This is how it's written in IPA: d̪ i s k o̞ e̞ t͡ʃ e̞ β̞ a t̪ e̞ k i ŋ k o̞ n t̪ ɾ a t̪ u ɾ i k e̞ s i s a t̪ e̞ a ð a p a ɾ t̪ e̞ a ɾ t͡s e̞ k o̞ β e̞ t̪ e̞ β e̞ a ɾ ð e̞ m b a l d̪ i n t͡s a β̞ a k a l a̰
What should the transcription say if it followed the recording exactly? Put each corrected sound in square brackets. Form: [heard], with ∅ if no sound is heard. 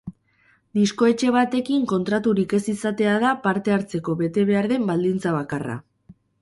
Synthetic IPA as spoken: d̪ i s k o̞ e̞ t͡ʃ e̞ β̞ a t̪ e̞ k i ŋ k o̞ n t̪ ɾ a t̪ u ɾ i k e̞ s i s a t̪ e̞ a ð a p a ɾ t̪ e̞ a ɾ t͡s e̞ k o̞ β e̞ t̪ e̞ β e̞ a ɾ ð e̞ m b a l d̪ i n t͡s a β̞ a k a [r] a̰

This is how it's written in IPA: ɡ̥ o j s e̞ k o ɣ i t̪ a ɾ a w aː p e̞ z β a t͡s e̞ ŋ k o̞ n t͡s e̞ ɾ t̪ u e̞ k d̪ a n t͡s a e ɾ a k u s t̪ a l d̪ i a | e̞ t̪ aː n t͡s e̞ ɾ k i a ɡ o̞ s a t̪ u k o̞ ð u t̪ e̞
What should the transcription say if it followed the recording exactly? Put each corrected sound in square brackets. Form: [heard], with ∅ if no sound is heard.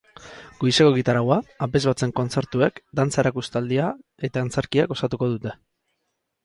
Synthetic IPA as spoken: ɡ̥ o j s e̞ k o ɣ i t̪ a ɾ a w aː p e̞ z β a t͡s e̞ ŋ k o̞ n t͡s e̞ ɾ t̪ u e̞ k d̪ a n t͡s a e ɾ a k u s t̪ a l d̪ i a | e̞ t̪ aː n t͡s e̞ ɾ k i a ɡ o̞ s a t̪ u k o̞ ð u t̪ e̞

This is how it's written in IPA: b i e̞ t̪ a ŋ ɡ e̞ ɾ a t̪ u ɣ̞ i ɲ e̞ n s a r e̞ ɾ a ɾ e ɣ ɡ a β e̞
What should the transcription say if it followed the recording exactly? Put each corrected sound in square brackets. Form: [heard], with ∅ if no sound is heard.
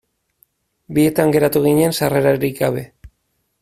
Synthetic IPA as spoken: b i e̞ t̪ a ŋ ɡ e̞ ɾ a t̪ u ɣ̞ i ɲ e̞ n s a r e̞ ɾ a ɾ [i] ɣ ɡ a β e̞

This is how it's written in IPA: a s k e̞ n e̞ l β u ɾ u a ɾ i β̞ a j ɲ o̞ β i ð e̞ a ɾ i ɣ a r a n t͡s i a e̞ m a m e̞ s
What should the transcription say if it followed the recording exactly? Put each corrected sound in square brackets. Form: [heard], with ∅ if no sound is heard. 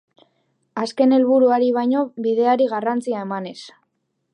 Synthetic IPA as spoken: a s k e̞ n e̞ l β u ɾ u a ɾ i β̞ a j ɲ o̞ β i ð e̞ a ɾ i ɣ a r a n t͡s i a e̞ m a [n] e̞ s

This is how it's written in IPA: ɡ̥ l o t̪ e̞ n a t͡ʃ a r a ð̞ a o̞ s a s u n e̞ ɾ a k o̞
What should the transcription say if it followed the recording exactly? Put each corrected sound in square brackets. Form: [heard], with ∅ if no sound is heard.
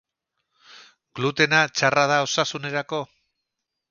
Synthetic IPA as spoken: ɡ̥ l [u] t̪ e̞ n a t͡ʃ a r a ð̞ a o̞ s a s u n e̞ ɾ a k o̞

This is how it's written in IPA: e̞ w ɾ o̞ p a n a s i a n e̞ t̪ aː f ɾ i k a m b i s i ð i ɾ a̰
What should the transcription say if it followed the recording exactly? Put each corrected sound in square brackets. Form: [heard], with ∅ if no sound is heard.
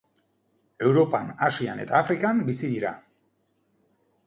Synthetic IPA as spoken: e̞ w ɾ o̞ p a n a s i a n e̞ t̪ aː f ɾ i k a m b i s i ð i ɾ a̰

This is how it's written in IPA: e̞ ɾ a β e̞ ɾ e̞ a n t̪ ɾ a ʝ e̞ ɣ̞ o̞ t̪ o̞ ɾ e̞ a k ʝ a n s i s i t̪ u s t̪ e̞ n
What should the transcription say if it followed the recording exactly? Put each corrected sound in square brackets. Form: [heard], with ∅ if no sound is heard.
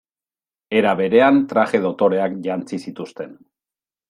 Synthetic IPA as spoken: e̞ ɾ a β e̞ ɾ e̞ a n t̪ ɾ a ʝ e̞ [ð̞] o̞ t̪ o̞ ɾ e̞ a k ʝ a n [t͡s] i s i t̪ u s t̪ e̞ n

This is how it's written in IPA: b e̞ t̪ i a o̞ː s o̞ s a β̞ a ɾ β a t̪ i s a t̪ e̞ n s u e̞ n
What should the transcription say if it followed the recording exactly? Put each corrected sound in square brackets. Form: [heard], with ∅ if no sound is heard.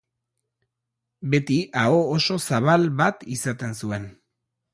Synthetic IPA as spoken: b e̞ t̪ i a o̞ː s o̞ s a β̞ a [l] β a t̪ i s a t̪ e̞ n s u e̞ n

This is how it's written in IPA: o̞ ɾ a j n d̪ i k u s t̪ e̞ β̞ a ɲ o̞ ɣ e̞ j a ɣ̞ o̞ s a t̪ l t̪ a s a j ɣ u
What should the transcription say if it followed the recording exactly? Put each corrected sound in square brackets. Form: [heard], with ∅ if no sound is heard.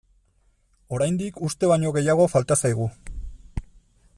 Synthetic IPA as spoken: o̞ ɾ a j n d̪ i k u s t̪ e̞ β̞ a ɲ o̞ ɣ e̞ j a ɣ̞ o̞ [f] a [∅] l t̪ a s a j ɣ u

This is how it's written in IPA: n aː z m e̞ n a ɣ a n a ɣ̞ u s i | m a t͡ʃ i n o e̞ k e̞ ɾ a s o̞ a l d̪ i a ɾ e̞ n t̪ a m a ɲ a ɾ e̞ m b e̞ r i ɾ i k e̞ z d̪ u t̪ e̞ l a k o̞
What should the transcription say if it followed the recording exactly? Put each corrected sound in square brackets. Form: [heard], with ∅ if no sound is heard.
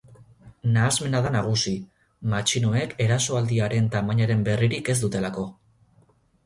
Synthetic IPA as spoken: n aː z m e̞ n a [ð] a n a ɣ̞ u s i | m a t͡ʃ i n o e̞ k e̞ ɾ a s o̞ a l d̪ i a ɾ e̞ n t̪ a m a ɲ a ɾ e̞ m b e̞ r i ɾ i k e̞ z d̪ u t̪ e̞ l a k o̞

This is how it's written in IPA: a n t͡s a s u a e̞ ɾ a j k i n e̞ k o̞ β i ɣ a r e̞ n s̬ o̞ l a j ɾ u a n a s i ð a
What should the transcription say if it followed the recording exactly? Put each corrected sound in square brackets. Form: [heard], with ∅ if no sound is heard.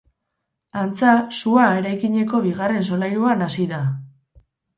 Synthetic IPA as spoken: a n t͡s a s u a e̞ ɾ a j k i [ɲ] e̞ k o̞ β i ɣ a r e̞ n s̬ o̞ l a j ɾ u a n a s i ð a

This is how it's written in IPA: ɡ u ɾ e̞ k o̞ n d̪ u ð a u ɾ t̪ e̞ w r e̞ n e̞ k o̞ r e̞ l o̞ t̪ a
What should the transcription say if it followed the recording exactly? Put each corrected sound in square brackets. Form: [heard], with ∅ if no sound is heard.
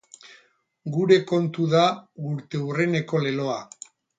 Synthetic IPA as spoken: ɡ u ɾ e̞ k o̞ n [t̪] u ð a u ɾ t̪ e̞ [u] r e̞ n e̞ k o̞ [l] e̞ l o̞ [∅] a

